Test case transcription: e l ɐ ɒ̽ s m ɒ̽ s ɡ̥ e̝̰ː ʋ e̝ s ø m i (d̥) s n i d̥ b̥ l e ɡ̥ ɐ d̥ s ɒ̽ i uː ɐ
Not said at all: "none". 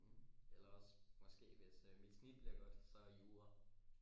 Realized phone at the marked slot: d̥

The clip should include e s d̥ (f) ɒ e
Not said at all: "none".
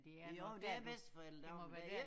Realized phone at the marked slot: f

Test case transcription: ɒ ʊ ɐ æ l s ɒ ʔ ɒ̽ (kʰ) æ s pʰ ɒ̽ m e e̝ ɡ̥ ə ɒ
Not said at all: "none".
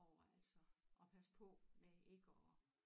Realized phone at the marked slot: pʰ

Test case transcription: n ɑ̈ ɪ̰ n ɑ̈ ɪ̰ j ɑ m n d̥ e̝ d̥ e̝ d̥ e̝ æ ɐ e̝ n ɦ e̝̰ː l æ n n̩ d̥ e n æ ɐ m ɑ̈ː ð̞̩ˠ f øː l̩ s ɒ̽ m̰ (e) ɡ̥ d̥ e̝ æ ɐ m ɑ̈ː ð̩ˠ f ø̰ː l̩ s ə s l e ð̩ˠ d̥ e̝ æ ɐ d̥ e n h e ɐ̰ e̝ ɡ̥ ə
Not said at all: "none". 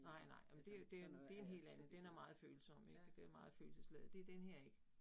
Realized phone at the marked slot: e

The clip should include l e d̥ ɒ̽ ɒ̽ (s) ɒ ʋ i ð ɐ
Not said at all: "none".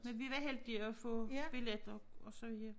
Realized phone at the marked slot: s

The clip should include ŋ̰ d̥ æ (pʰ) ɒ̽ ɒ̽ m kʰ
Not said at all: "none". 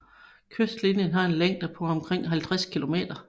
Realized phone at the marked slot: pʰ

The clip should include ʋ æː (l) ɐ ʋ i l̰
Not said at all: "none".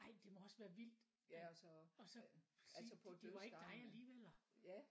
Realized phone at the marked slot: none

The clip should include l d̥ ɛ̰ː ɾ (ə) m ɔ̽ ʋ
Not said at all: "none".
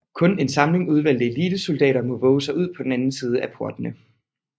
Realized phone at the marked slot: ɐ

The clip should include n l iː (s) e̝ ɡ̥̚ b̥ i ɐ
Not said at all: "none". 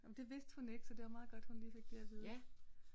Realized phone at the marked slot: f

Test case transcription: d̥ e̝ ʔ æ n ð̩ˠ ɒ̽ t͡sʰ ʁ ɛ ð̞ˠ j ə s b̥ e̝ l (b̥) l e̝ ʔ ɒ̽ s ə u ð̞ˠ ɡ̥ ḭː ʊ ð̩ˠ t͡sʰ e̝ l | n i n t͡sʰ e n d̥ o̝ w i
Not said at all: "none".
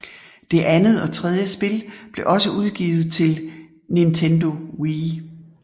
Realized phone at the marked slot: b̥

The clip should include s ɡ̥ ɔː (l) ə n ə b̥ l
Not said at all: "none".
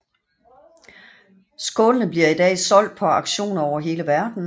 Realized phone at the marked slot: l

